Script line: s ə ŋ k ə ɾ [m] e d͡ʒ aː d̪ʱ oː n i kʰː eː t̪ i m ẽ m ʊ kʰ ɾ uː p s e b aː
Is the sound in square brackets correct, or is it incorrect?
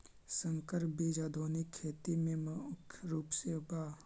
incorrect